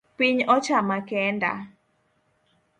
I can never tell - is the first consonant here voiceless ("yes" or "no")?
yes